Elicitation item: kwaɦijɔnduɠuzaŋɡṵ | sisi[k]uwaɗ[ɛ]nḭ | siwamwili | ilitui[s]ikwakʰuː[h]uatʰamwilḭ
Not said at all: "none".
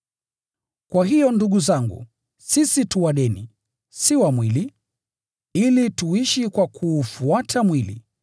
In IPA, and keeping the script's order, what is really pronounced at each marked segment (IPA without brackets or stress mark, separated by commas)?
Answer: t, ɛ, ʃ, f